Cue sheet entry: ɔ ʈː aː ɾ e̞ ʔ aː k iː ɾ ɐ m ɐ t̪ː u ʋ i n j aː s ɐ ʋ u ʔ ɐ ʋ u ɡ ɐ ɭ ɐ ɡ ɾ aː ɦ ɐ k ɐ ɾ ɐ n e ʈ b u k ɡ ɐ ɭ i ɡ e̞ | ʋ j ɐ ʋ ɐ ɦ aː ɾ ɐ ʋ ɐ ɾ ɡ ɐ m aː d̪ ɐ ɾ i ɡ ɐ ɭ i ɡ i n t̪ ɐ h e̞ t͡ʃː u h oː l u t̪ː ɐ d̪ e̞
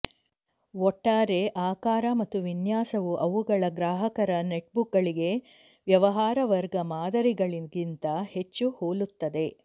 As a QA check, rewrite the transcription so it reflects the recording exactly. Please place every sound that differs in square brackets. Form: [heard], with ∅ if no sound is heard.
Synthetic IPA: ɔ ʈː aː ɾ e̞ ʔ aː k [aː] ɾ ɐ m ɐ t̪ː u ʋ i n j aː s ɐ ʋ u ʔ ɐ ʋ u ɡ ɐ ɭ ɐ ɡ ɾ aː ɦ ɐ k ɐ ɾ ɐ n e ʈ b u k ɡ ɐ ɭ i ɡ e̞ | ʋ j ɐ ʋ ɐ ɦ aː ɾ ɐ ʋ ɐ ɾ ɡ ɐ m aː d̪ ɐ ɾ i ɡ ɐ ɭ i ɡ i n t̪ ɐ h e̞ t͡ʃː u h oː l u t̪ː ɐ d̪ e̞